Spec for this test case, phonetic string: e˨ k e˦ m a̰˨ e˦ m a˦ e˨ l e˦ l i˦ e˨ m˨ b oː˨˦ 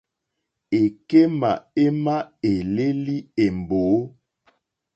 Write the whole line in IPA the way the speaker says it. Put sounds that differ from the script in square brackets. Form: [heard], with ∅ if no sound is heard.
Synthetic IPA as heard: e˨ k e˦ m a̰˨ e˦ m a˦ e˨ l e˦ l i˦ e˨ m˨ b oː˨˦